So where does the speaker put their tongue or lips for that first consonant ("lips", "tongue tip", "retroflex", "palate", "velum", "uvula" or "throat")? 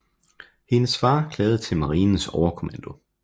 throat